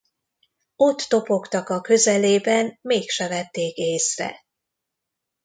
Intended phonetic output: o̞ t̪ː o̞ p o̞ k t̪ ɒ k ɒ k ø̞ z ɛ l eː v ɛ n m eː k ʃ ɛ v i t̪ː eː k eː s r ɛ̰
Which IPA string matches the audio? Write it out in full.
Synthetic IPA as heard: o̞ t̪ː o̞ p o̞ k t̪ ɒ k ɒ k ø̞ z ɛ l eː b ɛ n m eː k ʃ ɛ v ɛ t̪ː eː k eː s r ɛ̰

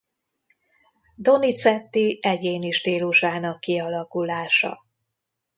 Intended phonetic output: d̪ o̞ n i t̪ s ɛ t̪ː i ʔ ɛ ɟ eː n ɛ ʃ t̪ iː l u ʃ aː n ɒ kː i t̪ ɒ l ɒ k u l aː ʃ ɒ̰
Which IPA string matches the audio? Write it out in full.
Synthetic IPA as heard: d̪ o̞ n i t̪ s ɛ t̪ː i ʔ ɛ ɟ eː n i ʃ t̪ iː l u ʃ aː n ɒ kː i ɒ l ɒ k u l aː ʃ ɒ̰

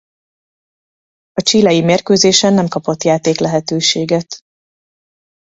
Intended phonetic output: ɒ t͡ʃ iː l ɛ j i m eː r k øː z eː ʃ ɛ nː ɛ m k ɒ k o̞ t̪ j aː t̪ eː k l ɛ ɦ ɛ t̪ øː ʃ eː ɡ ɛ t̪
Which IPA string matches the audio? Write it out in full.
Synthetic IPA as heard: ɒ t͡ʃ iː l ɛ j i m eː r k øː z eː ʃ ɛ nː ɛ m k ɒ p o̞ t̪ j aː t̪ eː k l ɛ ɦ ɛ t̪ øː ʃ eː ɡ ɛ t̪

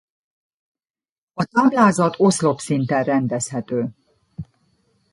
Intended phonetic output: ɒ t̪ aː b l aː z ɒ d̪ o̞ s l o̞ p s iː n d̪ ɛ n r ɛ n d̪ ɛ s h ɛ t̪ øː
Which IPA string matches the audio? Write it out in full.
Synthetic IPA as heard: ɒ t̪ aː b l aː z ɒ t̪ o̞ s l o̞ p s i n t̪ ɛ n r ɛ n d̪ ɛ s h ɛ t̪ øː

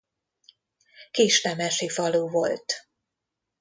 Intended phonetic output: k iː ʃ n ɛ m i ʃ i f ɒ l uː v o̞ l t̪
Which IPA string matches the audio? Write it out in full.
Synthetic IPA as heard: k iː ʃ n ɛ m ɛ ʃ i f ɒ l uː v o̞ l t̪

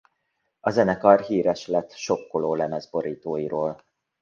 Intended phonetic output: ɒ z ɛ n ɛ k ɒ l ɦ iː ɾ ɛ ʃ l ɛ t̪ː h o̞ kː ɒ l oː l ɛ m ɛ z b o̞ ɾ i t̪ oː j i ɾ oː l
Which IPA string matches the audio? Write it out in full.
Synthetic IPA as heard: ɒ z ɛ n ɛ k ɒ r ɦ iː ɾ ɛ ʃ l ɛ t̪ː ʃ o̞ kː o l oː l ɛ m ɛ z b o̞ ɾ iː t̪ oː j i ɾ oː l

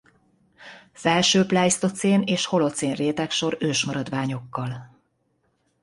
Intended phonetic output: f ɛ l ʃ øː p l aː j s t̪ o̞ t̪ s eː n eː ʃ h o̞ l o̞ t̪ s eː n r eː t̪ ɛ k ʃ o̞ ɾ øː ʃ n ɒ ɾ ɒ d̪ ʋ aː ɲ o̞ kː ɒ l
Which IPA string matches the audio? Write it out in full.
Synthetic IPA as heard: f ɛ l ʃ øː p l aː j s t̪ o̞ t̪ s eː n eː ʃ h o̞ l o̞ t̪ s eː n r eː t̪ ɛ k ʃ o̞ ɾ øː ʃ m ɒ ɾ ɒ d̪ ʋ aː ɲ o̞ kː ɒ l

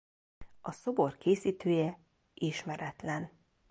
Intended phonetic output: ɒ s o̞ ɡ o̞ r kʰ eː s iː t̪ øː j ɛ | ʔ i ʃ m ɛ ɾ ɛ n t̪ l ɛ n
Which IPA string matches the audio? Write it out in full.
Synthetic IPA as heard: ɒ s o̞ b o̞ r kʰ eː s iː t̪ øː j ɛ | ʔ i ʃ m ɛ ɾ ɛ t̪ l ɛ n

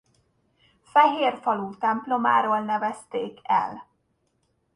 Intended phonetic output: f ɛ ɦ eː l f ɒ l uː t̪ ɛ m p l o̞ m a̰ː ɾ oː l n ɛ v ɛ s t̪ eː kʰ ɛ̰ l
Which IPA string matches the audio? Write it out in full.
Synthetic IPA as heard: f ɛ ɦ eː r f ɒ l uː t̪ ɛ m p l o̞ m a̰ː ɾ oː l n ɛ v ɛ s t̪ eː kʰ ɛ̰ l

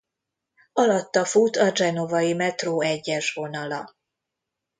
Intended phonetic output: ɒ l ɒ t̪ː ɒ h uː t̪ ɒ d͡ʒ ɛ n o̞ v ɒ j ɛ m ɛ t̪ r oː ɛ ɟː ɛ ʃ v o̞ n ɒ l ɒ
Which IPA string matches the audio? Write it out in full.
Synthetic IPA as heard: ɒ l ɒ t̪ː ɒ f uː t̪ ɒ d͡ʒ ɛ n o̞ v ɒ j i m ɛ t̪ r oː ɛ ɟː ɛ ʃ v o̞ n ɒ l ɒ

